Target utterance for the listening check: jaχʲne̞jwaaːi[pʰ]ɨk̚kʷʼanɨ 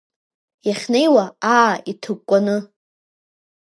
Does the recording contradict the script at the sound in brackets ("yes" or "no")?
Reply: yes